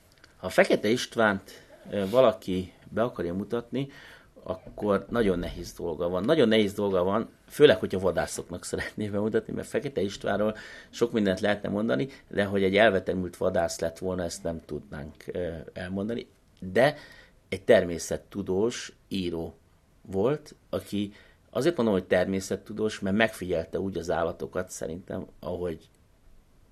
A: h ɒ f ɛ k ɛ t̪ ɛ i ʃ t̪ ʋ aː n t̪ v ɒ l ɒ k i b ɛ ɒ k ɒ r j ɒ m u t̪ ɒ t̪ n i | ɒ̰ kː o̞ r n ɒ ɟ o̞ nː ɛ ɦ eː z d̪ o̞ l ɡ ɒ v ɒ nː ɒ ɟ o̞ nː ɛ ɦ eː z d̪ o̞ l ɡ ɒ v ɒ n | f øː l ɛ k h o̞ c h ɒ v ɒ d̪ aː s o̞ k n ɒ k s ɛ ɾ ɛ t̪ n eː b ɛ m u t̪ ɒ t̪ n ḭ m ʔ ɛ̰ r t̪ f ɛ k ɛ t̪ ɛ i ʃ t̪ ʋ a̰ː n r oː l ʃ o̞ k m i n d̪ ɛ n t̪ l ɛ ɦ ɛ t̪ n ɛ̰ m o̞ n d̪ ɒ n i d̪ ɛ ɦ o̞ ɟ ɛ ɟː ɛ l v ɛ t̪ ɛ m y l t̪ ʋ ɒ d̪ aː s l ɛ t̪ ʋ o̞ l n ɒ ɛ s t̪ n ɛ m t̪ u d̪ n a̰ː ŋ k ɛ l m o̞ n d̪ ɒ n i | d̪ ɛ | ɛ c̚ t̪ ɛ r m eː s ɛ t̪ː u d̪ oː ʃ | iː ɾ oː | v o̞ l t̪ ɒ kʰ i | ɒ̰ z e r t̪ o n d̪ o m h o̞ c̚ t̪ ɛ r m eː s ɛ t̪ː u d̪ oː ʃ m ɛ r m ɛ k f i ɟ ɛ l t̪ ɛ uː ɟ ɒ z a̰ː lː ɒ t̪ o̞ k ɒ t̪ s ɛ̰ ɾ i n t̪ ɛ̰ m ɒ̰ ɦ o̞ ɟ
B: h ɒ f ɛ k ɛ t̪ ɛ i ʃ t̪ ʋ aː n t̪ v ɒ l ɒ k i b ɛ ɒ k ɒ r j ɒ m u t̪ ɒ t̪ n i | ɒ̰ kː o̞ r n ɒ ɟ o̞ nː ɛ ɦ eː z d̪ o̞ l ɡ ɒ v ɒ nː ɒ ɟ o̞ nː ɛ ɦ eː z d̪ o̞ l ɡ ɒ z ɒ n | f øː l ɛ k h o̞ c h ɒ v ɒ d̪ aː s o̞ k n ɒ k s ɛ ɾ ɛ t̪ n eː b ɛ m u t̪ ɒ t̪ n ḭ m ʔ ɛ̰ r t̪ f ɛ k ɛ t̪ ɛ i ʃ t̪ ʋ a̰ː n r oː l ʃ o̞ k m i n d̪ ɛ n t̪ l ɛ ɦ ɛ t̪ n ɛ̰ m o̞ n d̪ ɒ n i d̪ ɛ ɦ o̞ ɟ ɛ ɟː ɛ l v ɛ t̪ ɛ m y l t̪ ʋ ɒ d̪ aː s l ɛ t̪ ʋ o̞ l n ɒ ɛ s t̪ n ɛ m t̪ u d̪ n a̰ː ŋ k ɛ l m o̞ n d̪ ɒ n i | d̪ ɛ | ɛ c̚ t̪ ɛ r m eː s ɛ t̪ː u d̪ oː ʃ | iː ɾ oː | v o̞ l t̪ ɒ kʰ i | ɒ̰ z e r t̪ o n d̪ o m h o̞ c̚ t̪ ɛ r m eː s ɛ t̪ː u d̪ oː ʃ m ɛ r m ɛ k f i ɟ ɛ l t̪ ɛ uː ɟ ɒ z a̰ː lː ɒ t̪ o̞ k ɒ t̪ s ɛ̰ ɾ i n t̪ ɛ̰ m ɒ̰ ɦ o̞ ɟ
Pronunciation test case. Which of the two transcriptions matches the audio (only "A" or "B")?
A